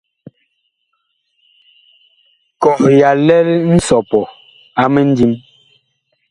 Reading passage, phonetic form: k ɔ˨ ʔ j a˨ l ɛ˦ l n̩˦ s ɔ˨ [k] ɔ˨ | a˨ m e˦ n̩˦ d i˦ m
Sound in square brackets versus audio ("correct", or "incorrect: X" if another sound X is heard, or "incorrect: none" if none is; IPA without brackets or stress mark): incorrect: p